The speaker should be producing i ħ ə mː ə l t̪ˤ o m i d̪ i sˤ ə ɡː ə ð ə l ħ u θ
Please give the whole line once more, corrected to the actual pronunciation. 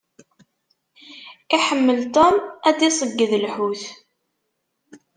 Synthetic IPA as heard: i ħ ə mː ə l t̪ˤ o m æ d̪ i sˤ ə ɡː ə ð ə l ħ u θ